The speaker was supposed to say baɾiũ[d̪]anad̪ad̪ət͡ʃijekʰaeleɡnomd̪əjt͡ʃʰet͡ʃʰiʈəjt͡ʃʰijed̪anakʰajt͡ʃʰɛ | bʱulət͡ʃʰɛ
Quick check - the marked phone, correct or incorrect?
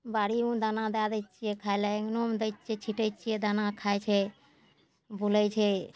correct